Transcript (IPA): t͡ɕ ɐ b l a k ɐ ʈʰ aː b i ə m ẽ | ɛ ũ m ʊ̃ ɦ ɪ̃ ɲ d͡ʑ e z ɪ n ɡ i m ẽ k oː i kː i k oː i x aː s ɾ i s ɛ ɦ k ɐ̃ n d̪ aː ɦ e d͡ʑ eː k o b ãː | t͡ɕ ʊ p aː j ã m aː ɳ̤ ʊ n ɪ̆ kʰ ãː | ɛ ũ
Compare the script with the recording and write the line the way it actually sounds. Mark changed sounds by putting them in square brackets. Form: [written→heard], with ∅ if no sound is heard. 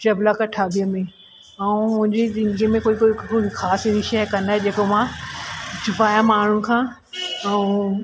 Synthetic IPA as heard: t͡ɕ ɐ b l a k ɐ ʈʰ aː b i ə m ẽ | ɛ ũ m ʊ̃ ɦ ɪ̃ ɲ d͡ʑ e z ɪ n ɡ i m ẽ k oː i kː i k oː i x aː s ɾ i [s→ʃ] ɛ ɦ k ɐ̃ n d̪ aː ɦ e d͡ʑ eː k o [b→m] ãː | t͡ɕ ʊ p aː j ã m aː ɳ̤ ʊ n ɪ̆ kʰ ãː | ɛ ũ

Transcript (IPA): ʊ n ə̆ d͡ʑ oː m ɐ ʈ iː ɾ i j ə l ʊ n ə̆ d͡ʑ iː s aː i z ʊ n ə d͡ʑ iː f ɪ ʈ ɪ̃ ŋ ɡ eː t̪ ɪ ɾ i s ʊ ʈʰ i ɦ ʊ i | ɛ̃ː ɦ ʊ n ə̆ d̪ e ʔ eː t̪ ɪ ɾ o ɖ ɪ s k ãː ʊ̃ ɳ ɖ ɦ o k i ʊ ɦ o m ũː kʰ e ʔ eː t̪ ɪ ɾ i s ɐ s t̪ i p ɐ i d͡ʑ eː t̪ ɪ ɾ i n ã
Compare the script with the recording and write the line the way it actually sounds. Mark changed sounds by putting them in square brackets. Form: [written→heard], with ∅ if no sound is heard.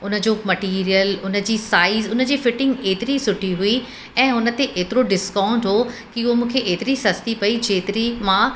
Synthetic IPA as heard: ʊ n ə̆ d͡ʑ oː m ɐ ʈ iː ɾ i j ə l ʊ n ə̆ d͡ʑ iː s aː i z ʊ n ə d͡ʑ iː f ɪ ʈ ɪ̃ ŋ ɡ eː t̪ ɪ ɾ i s ʊ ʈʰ i ɦ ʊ i | ɛ̃ː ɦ ʊ n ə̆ [d̪→t̪] e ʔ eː t̪ ɪ ɾ o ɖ ɪ s k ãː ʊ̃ ɳ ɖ ɦ o k i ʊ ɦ o m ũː kʰ e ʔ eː t̪ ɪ ɾ i s ɐ s t̪ i p ɐ i d͡ʑ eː t̪ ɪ ɾ i [n→m] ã

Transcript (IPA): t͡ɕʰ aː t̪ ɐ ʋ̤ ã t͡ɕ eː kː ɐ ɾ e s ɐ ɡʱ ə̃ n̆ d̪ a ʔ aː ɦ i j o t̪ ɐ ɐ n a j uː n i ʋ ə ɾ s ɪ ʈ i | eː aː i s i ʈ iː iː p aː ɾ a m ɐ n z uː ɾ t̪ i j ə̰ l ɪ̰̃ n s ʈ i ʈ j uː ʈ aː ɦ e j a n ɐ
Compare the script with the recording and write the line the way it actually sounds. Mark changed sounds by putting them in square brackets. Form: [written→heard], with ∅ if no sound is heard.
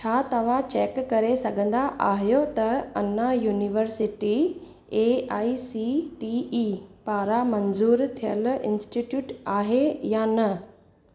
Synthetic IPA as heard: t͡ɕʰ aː t̪ ɐ ʋ̤ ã t͡ɕ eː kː ɐ ɾ e s ɐ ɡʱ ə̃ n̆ d̪ a ʔ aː ɦ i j o t̪ ɐ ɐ n a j uː n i ʋ ə ɾ s ɪ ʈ i | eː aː i s i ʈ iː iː p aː ɾ a m ɐ n z uː ɾ [t̪→t̪ʰ] i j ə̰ l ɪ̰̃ n s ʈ i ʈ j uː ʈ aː ɦ e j a n ɐ

